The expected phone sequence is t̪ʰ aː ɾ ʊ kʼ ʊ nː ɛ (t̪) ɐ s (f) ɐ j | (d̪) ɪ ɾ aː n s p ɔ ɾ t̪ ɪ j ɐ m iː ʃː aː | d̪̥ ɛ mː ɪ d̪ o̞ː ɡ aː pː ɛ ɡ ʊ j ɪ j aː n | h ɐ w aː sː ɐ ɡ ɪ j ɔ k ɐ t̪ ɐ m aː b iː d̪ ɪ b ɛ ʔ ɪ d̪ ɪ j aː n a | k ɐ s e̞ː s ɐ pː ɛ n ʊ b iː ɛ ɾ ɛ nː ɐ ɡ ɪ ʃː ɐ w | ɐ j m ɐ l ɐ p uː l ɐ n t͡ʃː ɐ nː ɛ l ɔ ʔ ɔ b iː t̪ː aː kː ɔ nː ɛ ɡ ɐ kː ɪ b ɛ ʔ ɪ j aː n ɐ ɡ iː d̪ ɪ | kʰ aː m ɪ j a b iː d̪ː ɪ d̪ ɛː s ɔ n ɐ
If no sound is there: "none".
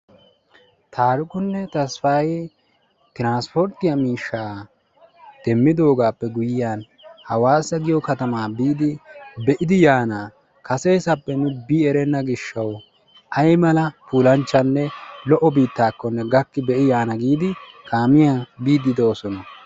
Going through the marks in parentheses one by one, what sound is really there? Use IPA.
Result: t̪, f, t̪

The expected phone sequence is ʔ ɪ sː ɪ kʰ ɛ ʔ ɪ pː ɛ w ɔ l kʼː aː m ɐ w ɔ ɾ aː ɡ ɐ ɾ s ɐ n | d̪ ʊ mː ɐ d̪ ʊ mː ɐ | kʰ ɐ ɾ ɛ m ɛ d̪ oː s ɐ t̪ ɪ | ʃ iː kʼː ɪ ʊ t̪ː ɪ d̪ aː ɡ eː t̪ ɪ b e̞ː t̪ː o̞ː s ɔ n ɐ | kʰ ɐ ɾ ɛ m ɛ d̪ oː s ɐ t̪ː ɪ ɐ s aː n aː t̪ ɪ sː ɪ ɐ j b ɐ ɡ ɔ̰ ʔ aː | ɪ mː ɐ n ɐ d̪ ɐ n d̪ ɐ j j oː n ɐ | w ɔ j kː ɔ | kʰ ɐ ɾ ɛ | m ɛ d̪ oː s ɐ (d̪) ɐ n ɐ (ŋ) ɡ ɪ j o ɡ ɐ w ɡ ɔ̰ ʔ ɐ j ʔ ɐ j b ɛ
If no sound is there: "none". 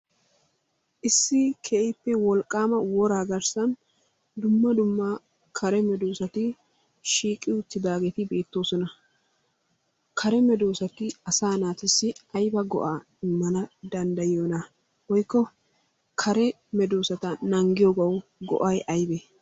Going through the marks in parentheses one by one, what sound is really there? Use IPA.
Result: t̪, ŋ

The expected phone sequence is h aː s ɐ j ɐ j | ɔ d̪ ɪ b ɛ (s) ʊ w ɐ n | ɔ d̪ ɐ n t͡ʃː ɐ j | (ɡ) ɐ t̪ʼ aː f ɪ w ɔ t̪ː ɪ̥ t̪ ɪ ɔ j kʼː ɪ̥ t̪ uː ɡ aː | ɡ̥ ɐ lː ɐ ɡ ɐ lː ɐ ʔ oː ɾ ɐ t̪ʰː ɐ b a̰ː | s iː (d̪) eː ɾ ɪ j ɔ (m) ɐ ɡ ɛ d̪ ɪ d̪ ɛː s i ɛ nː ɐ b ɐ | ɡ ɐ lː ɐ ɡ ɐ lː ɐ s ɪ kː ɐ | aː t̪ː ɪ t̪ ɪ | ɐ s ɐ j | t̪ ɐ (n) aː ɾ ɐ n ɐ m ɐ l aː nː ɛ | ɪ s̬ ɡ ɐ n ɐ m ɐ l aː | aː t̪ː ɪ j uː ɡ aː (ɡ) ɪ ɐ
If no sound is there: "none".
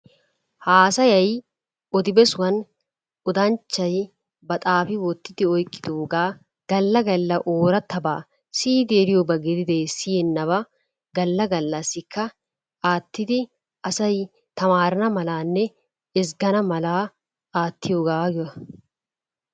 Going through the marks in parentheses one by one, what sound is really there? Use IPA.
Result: s, b, d̪, b, m, ɡ

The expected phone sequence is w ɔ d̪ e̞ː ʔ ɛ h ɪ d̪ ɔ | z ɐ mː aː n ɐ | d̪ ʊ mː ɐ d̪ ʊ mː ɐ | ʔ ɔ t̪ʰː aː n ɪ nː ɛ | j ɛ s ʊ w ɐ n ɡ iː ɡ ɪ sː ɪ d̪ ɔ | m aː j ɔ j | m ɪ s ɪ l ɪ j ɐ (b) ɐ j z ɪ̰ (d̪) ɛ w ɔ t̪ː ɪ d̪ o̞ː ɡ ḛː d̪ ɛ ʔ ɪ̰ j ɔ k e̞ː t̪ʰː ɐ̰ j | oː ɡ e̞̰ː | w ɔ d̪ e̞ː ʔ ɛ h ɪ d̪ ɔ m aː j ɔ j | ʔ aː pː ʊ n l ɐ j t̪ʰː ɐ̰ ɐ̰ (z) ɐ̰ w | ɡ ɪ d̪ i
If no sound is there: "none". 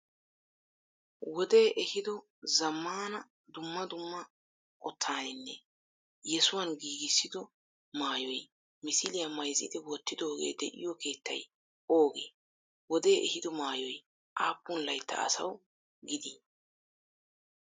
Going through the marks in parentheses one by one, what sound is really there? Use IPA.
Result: m, d̪, s

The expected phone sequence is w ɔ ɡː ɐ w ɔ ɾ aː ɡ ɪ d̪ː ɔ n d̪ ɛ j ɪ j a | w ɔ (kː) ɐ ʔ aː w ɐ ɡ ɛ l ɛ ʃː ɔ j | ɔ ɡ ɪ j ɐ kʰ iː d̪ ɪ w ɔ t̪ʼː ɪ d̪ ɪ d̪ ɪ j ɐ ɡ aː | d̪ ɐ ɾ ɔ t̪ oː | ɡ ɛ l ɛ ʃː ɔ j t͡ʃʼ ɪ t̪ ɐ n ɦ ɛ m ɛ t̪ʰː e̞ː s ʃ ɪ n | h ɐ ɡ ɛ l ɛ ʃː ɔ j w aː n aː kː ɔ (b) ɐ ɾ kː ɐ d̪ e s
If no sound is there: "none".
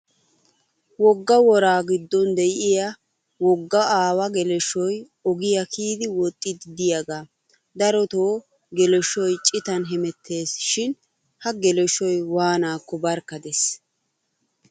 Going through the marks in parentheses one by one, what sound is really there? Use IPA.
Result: ɡː, b

